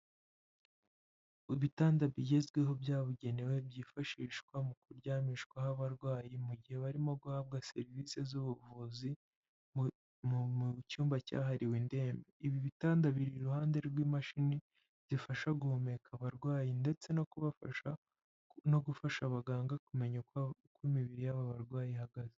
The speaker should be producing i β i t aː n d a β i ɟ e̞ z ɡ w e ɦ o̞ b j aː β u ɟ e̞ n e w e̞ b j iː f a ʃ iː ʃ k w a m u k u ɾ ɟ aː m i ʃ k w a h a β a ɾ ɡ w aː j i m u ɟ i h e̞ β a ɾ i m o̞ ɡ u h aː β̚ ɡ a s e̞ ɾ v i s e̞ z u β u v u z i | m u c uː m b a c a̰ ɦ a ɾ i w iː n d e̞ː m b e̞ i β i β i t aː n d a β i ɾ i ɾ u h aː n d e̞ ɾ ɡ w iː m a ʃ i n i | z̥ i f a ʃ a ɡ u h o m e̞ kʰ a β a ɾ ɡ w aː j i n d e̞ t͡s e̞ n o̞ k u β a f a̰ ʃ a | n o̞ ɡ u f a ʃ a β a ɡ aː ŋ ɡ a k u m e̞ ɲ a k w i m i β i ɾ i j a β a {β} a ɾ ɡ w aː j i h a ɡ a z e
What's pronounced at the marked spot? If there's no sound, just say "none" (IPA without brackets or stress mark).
β